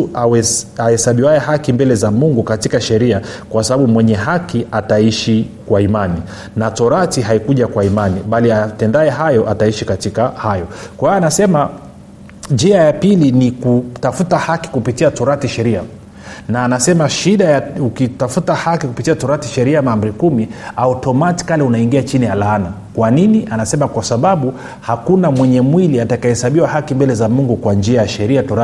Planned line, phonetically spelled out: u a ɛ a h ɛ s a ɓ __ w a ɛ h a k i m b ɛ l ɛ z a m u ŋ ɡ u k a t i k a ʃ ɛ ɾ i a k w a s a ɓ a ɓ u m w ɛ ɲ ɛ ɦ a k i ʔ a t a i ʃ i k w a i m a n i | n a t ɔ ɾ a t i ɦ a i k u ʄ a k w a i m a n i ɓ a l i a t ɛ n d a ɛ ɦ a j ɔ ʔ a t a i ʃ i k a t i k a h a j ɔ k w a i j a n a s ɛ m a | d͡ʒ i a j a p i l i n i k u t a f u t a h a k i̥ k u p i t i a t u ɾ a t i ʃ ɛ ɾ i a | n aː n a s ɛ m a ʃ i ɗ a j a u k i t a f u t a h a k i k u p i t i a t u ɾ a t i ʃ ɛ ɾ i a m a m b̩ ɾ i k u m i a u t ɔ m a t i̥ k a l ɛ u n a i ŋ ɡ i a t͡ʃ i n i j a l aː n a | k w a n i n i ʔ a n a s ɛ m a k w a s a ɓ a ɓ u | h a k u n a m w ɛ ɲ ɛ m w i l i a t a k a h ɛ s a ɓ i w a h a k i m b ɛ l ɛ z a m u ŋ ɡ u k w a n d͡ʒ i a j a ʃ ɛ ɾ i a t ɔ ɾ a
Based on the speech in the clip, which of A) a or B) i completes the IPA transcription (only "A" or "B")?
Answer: B